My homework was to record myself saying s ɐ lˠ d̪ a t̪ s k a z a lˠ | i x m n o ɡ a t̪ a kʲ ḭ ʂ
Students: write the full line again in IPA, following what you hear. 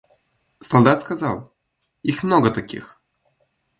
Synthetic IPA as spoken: s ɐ lˠ d̪ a t̪ s k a z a lˠ | i x m n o ɡ ə t̪ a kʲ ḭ x